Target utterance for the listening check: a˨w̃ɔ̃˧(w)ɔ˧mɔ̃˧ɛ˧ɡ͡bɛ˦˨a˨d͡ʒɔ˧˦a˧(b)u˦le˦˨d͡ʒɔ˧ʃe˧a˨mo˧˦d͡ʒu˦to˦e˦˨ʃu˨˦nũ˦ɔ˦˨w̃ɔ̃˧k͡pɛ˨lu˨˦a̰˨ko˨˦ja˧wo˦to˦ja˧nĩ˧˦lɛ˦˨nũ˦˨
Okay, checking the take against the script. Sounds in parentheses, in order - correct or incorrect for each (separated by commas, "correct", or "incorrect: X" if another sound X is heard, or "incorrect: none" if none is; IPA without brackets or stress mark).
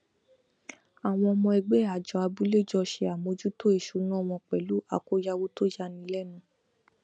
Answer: incorrect: none, correct